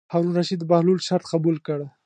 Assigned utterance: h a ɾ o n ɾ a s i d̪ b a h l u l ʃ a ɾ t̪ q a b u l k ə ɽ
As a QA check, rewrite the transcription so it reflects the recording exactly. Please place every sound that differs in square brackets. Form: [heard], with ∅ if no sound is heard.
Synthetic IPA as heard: h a ɾ [u] n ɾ a [ʃ] i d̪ b a h l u l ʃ a ɾ t̪ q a b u l k ə ɽ